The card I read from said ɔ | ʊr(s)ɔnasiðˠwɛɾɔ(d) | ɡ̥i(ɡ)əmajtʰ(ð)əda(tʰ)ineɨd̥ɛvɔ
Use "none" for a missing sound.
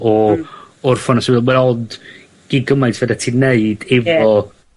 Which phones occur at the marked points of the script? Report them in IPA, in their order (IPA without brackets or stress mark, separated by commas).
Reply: f, d, ɡ, v, tʰ